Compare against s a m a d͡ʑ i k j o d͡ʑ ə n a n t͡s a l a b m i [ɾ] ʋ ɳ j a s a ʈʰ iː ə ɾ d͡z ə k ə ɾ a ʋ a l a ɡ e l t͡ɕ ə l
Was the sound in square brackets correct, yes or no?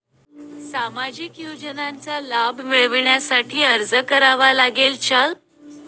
no